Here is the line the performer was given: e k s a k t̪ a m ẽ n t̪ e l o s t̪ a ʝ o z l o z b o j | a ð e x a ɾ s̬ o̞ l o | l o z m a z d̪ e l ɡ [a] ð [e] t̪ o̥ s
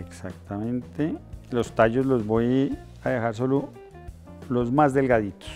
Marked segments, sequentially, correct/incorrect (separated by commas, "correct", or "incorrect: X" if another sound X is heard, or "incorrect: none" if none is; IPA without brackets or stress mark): correct, incorrect: i